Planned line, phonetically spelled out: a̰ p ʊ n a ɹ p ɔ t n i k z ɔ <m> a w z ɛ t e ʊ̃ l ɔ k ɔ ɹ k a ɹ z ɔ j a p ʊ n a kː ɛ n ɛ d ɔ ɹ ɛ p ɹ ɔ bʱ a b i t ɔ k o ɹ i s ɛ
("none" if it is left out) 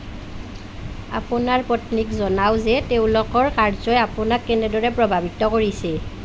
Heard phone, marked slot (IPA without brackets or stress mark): n